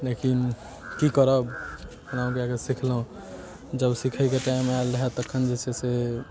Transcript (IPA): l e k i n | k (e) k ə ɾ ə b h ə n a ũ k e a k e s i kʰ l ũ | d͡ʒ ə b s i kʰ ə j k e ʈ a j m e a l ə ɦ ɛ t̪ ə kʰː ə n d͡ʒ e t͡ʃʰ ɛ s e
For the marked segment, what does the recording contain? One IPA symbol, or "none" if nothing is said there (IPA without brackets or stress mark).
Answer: i